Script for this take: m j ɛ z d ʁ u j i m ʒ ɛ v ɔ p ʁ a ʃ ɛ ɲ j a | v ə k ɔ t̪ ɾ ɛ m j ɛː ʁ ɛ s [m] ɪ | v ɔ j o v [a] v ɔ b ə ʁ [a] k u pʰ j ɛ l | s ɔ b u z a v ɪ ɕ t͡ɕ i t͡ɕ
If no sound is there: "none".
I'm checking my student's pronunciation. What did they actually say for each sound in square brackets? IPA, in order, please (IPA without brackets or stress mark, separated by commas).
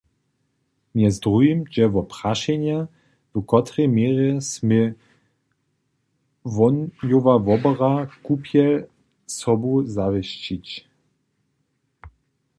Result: m, a, a